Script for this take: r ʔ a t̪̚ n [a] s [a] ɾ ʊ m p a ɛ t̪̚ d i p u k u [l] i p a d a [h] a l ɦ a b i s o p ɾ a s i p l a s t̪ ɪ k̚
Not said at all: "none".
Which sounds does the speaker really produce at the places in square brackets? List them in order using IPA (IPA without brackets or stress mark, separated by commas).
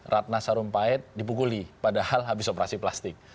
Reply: a, a, l, h